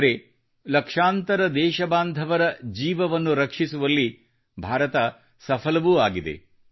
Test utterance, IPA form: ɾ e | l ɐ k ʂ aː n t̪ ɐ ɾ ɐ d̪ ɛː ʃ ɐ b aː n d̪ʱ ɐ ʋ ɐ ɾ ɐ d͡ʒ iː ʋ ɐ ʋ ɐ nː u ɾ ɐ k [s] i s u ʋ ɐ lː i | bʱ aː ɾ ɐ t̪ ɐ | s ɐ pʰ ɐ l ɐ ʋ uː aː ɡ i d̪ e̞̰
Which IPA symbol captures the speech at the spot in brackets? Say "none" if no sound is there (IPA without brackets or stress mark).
ʂ